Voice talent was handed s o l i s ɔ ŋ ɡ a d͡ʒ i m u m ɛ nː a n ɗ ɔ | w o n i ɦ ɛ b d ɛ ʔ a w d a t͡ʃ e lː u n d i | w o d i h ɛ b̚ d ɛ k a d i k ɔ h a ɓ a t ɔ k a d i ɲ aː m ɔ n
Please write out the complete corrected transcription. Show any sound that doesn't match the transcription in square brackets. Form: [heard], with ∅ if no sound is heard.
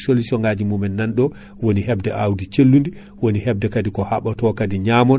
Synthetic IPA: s o l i s ɔ ŋ ɡ a d͡ʒ i m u m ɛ nː a n ɗ ɔ | w o n i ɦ ɛ b d ɛ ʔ a w d [i] t͡ʃ e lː u n d i | w o [n] i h ɛ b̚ d ɛ k a d i k ɔ h a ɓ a t ɔ k a d i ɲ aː m ɔ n